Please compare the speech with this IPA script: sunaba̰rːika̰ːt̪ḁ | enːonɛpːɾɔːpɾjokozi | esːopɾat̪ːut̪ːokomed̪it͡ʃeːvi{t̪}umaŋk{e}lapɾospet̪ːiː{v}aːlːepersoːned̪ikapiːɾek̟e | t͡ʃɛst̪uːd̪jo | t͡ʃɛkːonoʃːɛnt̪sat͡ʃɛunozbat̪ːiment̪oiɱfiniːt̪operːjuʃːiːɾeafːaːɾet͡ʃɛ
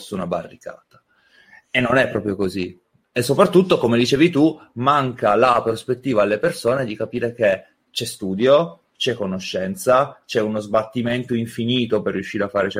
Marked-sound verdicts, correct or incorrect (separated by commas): correct, incorrect, correct